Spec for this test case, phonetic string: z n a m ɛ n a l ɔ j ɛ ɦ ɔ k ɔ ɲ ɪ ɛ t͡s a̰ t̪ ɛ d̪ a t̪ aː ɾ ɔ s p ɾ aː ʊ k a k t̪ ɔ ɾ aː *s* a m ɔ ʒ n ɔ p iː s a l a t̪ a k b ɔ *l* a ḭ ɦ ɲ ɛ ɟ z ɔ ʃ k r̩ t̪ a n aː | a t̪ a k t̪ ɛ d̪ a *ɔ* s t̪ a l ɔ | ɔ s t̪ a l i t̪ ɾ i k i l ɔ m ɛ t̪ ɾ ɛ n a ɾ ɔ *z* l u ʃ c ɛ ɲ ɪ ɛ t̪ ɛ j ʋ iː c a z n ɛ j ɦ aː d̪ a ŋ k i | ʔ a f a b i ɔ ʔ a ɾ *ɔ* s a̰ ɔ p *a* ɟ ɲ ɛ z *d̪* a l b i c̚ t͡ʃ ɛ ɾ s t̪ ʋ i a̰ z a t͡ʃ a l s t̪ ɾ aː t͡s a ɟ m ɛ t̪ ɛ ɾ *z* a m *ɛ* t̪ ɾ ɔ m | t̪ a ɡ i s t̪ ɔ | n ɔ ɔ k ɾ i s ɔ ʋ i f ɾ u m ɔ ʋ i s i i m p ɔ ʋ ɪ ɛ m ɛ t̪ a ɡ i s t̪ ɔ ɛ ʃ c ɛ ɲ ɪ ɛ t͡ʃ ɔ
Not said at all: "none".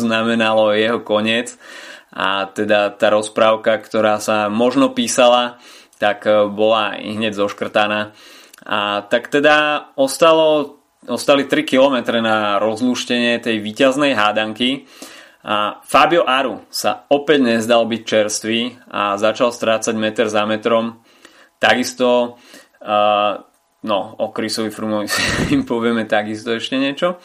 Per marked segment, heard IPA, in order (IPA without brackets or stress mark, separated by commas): s, l, ɔ, z, u, ɛ, d̪, z, ɛ